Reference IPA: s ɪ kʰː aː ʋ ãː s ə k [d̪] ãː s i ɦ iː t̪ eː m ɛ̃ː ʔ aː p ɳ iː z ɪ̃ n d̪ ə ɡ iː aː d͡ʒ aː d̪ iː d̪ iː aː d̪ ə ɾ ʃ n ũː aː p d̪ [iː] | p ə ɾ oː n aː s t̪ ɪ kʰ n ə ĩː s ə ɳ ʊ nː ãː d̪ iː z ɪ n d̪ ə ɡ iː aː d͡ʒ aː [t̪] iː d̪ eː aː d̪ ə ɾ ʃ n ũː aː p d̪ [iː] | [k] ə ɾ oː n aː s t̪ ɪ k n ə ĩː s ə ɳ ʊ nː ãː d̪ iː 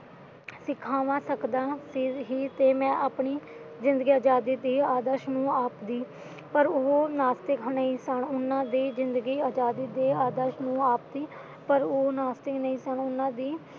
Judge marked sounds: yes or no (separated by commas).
yes, yes, no, yes, no